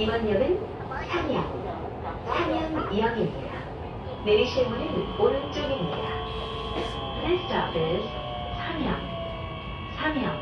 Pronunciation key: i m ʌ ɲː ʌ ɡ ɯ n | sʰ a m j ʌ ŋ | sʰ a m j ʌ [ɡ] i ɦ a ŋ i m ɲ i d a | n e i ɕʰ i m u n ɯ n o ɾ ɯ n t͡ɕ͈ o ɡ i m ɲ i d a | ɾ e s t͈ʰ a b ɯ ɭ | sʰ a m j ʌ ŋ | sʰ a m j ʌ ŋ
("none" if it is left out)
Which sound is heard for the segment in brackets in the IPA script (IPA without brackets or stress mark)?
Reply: ŋ